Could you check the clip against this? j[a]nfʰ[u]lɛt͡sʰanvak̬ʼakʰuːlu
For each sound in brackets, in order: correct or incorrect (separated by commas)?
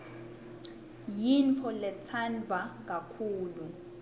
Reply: incorrect, incorrect